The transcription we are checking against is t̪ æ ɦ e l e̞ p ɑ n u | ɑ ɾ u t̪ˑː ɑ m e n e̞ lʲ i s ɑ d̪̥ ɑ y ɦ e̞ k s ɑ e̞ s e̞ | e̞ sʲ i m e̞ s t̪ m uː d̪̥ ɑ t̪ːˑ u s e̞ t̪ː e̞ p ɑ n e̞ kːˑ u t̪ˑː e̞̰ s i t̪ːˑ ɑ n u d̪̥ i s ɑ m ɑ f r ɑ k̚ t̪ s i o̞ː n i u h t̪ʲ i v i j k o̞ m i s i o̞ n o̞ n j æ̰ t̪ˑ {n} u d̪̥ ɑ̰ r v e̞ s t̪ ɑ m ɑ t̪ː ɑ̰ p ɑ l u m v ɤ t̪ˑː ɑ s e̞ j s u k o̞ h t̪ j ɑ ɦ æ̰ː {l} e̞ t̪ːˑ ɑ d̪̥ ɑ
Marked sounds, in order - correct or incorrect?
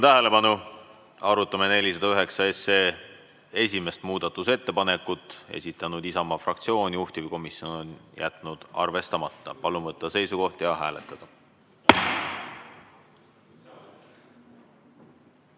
correct, correct

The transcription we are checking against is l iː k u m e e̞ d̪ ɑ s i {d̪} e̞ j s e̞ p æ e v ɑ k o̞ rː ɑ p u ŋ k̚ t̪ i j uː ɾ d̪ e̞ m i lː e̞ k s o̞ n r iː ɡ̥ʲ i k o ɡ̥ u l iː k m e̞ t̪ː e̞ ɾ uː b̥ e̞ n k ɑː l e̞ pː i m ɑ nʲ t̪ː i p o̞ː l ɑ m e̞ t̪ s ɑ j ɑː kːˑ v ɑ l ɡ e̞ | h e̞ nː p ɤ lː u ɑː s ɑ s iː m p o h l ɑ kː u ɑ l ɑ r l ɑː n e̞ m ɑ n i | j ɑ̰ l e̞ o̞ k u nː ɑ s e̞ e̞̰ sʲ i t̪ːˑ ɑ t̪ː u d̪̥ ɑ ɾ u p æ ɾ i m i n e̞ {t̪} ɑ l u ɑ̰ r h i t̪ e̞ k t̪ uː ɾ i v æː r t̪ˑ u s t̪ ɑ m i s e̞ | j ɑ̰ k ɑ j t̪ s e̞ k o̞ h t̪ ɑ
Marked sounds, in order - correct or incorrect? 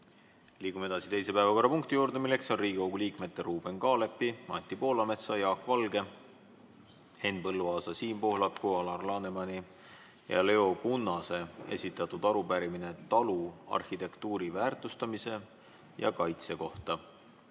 incorrect: t̪, correct

